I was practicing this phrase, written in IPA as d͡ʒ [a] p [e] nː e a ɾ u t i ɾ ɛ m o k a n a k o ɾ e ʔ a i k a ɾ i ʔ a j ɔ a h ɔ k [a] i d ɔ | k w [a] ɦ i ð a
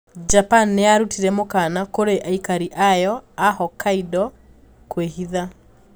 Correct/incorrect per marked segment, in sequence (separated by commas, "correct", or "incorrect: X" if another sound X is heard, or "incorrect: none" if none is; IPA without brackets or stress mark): correct, incorrect: a, correct, incorrect: e